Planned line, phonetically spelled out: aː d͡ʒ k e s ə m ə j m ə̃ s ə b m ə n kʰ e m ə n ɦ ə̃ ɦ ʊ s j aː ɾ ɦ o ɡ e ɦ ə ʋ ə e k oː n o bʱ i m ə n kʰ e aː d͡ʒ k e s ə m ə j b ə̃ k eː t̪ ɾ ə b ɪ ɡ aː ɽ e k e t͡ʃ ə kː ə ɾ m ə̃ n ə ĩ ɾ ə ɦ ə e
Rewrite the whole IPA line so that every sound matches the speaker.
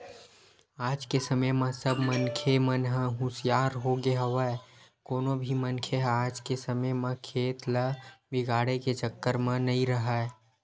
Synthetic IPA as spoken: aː d͡ʒ k e s ə m ə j m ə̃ s ə b m ə n kʰ e m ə n ɦ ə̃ ɦ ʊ s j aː ɾ ɦ o ɡ e ɦ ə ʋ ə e k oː n o bʱ i m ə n kʰ e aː d͡ʒ k e s ə m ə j m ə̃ kʰ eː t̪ l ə b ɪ ɡ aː ɽ e k e t͡ʃ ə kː ə ɾ m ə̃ n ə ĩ ɾ ə ɦ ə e